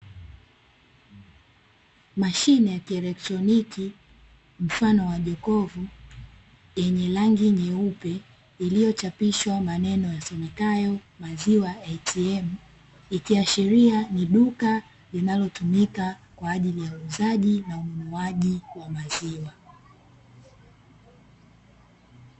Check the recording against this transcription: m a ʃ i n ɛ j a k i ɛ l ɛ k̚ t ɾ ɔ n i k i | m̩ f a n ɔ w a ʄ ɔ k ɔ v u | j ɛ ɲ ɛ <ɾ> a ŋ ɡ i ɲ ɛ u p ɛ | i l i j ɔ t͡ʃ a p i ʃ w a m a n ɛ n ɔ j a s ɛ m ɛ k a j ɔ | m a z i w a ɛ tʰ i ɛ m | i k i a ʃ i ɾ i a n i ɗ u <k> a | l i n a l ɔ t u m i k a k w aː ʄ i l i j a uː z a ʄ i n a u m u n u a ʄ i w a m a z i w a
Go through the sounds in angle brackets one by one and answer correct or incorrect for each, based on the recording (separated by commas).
incorrect, correct